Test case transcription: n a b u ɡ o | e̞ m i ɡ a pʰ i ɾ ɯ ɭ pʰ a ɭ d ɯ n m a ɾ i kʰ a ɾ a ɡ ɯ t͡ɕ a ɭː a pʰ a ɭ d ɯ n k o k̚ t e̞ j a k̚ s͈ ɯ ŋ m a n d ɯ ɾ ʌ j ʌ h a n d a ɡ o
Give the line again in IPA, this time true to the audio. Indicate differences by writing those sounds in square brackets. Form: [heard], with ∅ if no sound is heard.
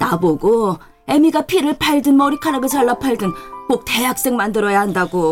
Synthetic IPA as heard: n a b [o] ɡ o | e̞ m i ɡ a pʰ i ɾ ɯ ɭ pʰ a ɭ d ɯ n m [ʌ] ɾ i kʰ a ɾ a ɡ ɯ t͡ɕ a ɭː a pʰ a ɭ d ɯ n k o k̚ t e̞ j a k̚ s͈ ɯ ŋ m a n d ɯ ɾ ʌ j [a] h a n d a ɡ o